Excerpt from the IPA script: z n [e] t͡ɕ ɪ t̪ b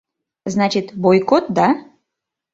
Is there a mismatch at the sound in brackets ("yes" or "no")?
yes